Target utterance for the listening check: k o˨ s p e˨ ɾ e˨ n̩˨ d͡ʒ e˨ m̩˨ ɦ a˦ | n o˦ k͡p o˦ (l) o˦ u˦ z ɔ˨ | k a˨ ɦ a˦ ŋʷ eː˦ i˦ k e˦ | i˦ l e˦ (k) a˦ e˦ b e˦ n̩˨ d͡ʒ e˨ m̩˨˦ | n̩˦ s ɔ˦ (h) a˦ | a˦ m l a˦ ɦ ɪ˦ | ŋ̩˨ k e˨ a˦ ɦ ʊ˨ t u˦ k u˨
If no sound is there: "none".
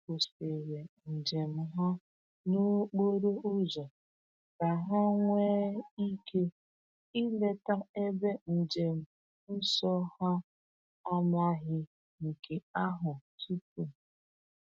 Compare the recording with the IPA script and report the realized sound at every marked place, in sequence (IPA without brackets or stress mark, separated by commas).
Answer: ɾ, t, h